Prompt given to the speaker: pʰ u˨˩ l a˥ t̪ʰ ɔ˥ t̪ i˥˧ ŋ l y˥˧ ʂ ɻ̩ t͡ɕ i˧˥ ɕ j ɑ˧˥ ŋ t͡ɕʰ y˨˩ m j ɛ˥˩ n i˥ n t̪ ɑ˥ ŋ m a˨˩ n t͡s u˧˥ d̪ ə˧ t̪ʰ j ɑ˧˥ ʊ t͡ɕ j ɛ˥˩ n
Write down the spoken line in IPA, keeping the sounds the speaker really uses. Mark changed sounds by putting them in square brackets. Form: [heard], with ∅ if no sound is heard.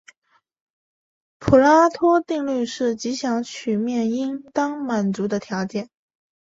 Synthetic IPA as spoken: pʰ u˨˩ l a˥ t̪ʰ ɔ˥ t̪ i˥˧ ŋ l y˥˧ ʂ ɻ̩ t͡ɕ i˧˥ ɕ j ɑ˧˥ ŋ t͡ɕʰ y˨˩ m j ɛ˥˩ n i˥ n t̪ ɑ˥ ŋ m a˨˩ n t͡s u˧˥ d̪ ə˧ t̪ʰ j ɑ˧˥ ʊ t͡ɕ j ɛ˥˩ n